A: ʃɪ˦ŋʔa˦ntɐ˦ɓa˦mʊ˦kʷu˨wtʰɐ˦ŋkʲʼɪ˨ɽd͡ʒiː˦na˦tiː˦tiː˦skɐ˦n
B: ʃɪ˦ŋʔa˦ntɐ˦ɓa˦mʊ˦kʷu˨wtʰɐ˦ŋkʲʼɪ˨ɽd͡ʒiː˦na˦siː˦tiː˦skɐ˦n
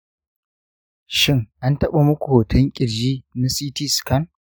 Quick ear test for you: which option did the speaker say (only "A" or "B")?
B